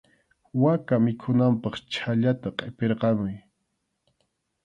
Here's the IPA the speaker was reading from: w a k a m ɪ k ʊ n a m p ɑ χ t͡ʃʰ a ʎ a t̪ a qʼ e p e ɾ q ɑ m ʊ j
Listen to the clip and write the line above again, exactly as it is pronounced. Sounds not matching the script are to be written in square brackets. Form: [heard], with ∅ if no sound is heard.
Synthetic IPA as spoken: w a k a m ɪ [kʰ] ʊ n a m p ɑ χ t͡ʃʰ a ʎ a t̪ a qʼ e p e ɾ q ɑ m ʊ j